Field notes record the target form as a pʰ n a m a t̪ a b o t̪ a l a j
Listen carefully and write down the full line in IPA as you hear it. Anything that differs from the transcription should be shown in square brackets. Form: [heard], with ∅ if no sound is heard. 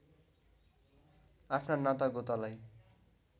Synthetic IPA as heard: a pʰ n a [n] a t̪ a [ɡ] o t̪ a l a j